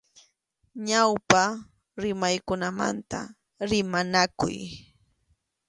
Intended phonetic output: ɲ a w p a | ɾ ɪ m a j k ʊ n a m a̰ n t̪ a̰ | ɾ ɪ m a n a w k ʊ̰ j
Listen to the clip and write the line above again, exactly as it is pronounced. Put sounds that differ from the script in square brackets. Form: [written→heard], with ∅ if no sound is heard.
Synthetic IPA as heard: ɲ a w p a | ɾ ɪ m a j k ʊ n a m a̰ n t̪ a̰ | ɾ ɪ m a n a [w→∅] k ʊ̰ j